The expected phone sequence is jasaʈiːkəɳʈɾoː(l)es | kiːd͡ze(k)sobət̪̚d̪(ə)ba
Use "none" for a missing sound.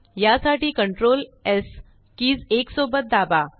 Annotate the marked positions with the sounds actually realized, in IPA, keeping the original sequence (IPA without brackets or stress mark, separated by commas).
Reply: l, k, a